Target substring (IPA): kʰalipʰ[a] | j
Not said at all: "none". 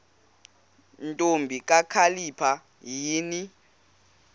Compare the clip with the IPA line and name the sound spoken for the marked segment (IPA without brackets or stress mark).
a